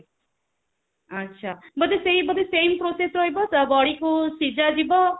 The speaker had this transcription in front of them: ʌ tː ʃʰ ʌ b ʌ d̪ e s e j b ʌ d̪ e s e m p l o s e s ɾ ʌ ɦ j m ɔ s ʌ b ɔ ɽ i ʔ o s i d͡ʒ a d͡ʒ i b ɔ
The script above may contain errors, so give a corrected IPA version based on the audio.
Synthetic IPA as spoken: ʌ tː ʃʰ a b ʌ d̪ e s e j b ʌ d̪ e s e m p ɾ o s e s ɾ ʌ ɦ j b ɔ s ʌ b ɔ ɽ i k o s i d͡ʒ a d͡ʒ i b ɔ